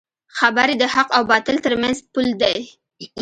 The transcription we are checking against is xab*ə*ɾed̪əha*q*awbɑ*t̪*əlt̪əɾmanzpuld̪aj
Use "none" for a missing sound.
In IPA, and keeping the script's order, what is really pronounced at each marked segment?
a, q, t̪

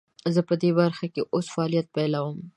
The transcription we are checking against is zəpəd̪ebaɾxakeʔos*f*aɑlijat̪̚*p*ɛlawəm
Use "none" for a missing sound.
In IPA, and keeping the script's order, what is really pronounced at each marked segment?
f, p

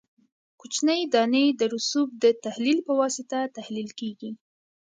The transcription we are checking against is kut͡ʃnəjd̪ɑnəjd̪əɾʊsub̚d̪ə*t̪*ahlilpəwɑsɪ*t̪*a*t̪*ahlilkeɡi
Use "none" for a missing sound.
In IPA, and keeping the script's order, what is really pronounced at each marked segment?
t̪, t̪, t̪

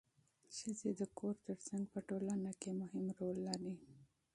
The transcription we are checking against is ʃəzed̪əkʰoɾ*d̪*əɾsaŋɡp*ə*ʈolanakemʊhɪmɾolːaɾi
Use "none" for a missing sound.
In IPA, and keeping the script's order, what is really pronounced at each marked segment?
t̪, ə

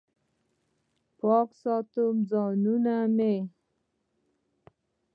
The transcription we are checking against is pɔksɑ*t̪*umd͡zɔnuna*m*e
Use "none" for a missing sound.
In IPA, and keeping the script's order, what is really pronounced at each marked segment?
t̪, m

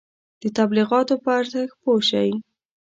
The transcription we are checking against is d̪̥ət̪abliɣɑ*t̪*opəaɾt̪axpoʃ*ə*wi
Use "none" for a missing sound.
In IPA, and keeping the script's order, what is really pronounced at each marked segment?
t̪, a

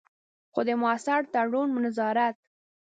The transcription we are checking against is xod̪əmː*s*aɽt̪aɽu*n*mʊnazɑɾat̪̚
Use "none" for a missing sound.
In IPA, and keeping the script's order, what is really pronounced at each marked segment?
s, n

